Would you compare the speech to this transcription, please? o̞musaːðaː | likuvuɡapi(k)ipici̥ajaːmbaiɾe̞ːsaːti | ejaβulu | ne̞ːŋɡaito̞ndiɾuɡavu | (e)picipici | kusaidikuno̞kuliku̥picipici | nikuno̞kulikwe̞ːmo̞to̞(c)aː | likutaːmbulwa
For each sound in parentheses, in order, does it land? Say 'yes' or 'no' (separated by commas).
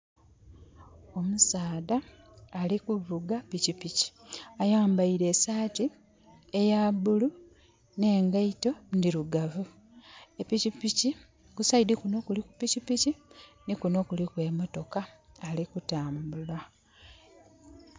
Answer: no, yes, no